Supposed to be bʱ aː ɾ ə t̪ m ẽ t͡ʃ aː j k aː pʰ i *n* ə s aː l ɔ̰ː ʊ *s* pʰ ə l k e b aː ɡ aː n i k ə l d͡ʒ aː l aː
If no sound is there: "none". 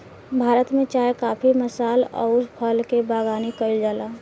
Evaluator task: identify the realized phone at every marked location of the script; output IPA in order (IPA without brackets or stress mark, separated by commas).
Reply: m, s